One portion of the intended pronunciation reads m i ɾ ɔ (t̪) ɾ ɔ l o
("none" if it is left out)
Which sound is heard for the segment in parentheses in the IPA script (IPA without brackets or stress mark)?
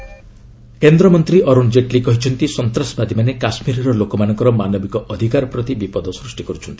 none